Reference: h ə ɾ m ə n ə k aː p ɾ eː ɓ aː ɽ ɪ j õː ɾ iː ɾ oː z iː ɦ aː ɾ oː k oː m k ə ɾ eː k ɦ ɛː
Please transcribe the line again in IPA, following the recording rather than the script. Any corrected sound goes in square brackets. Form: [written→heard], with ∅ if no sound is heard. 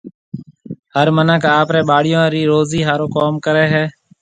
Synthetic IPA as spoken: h ə ɾ m ə n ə k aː p ɾ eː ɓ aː ɽ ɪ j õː ɾ iː ɾ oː z iː ɦ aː ɾ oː k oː m k ə ɾ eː [k→∅] ɦ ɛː